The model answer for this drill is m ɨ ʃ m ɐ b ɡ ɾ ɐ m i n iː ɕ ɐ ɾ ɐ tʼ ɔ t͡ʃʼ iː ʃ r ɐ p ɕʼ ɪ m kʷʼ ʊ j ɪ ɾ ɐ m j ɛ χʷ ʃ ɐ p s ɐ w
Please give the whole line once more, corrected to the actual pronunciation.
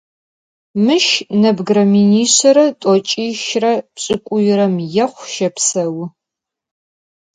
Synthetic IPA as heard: m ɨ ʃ n ɐ b ɡ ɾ ɐ m i n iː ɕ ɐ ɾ ɐ tʼ ɔ t͡ʃʼ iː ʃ r ɐ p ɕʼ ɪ kʷʼ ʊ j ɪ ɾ ɐ m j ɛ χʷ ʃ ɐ p s ɐ w